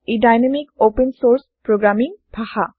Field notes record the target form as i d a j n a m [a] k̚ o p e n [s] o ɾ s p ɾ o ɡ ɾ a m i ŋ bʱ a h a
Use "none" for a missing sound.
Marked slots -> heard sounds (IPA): i, s

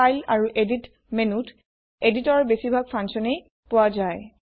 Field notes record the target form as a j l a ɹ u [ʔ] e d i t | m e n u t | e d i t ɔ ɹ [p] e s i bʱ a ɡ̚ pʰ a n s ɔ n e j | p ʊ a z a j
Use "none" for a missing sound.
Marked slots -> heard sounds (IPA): ʔ, b

